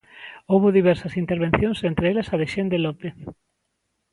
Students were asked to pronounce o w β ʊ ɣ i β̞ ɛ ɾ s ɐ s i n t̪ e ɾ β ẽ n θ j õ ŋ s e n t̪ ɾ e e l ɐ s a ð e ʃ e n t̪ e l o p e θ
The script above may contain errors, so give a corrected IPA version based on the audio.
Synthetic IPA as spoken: o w β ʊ ð i β̞ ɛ ɾ s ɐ s i n t̪ e ɾ β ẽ n θ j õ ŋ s e n t̪ ɾ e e l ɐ s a ð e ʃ e n d̪ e l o p e θ